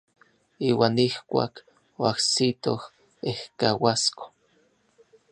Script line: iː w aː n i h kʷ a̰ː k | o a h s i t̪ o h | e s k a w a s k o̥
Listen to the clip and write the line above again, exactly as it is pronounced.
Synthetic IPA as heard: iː w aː n i h kʷ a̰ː k | o a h s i t̪ o h | e h k a w a s k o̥

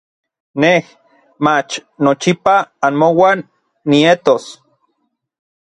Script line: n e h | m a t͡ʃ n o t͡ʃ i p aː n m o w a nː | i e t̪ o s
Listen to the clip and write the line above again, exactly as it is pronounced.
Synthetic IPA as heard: n e h | m a t͡ʃ n o t͡ʃ i p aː n m o w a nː | i e t̪ o s

